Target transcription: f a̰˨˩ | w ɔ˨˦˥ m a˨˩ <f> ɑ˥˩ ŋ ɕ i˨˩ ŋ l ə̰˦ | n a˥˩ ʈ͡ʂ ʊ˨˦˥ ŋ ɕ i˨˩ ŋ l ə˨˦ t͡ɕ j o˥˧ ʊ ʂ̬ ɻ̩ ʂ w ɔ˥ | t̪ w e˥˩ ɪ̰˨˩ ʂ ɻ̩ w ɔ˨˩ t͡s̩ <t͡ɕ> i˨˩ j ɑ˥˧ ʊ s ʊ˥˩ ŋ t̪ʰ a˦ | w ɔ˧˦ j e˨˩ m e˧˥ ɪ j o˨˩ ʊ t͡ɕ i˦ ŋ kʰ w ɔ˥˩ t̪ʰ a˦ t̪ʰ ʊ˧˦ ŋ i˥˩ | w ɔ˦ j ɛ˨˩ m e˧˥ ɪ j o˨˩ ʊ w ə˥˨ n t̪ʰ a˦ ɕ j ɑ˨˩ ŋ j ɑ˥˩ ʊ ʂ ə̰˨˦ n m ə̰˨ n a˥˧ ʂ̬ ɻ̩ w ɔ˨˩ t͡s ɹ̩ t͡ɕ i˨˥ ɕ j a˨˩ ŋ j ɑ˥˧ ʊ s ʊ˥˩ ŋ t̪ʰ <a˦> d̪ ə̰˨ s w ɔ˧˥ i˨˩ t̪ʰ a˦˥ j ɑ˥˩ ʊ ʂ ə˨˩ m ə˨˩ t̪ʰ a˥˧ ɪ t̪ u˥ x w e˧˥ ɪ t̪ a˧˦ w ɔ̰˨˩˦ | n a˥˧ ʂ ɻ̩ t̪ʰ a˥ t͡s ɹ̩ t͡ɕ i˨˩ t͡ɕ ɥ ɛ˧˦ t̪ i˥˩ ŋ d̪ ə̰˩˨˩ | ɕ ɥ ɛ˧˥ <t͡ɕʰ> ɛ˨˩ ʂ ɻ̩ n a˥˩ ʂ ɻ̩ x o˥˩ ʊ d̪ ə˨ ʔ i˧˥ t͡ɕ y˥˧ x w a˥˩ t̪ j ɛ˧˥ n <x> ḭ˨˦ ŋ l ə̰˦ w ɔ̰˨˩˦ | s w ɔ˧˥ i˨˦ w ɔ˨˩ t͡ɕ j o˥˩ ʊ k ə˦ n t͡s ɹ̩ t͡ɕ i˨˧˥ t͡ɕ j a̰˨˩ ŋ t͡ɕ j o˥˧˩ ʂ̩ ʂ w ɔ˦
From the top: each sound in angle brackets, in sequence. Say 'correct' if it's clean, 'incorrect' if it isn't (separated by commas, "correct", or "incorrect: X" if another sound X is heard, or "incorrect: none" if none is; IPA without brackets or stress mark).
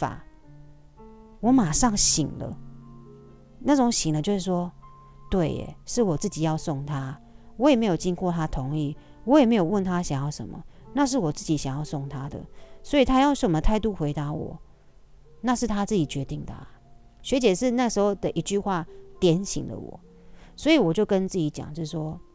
incorrect: ʂ, correct, correct, incorrect: t͡ɕ, incorrect: ɕ